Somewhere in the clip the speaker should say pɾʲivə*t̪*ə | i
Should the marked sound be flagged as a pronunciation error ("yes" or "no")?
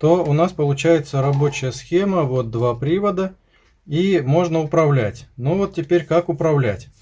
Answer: yes